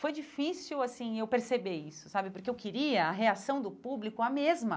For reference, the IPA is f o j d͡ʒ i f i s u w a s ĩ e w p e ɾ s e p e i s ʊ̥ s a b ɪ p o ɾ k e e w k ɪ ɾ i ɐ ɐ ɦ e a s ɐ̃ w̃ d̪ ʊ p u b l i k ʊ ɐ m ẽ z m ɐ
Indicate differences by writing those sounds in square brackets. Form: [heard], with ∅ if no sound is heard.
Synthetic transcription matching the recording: f o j d͡ʒ i f i s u w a s ĩ e w p e ɾ s e [b] e i s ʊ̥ s a b ɪ p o ɾ k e e w k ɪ ɾ i ɐ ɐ ɦ e a s ɐ̃ w̃ d̪ ʊ p u b l i k ʊ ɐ m [e] z m ɐ